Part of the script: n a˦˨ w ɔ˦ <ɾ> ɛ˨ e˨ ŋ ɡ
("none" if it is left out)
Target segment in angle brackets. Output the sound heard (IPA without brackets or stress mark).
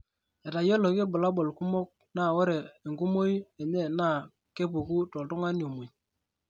ɾ